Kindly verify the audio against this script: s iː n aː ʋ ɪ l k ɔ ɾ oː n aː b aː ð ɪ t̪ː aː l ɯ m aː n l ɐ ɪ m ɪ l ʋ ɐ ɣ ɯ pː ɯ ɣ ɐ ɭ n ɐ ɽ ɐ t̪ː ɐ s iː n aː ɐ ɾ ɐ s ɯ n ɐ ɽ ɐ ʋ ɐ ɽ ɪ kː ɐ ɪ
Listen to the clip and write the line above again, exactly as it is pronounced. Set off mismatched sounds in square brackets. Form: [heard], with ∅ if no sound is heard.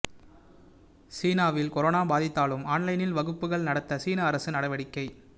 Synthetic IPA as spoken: s iː n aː ʋ ɪ l k ɔ ɾ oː n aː b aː ð ɪ t̪ː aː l ɯ m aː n l ɐ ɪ [n] ɪ l ʋ ɐ ɣ ɯ pː ɯ ɣ ɐ ɭ n ɐ ɽ ɐ t̪ː ɐ s iː n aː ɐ ɾ ɐ s ɯ n ɐ ɽ ɐ ʋ ɐ ɽ ɪ kː ɐ ɪ